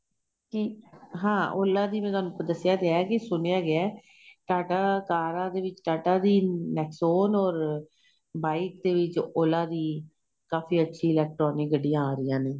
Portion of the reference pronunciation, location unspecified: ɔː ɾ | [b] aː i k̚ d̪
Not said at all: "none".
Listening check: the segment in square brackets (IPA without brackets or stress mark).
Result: b